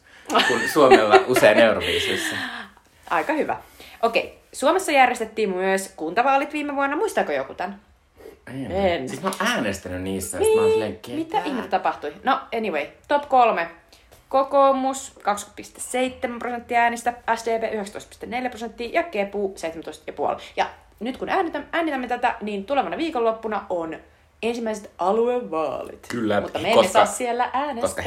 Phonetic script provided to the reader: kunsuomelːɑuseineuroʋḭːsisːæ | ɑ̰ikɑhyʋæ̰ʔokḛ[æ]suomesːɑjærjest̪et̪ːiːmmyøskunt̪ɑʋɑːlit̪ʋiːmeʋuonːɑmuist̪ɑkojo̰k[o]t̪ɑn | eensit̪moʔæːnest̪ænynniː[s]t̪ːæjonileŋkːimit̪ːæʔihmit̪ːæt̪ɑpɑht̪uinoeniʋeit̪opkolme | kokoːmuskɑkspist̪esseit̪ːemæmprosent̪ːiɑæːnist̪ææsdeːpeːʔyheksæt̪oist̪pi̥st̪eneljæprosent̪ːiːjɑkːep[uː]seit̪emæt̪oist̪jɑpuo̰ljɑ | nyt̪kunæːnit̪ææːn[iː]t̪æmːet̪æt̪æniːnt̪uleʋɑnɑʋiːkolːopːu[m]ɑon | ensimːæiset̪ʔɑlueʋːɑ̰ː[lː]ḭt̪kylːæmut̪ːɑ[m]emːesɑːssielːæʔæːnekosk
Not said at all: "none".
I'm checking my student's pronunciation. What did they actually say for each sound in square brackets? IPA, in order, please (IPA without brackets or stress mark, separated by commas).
i, u, s, uː, i, n, l, m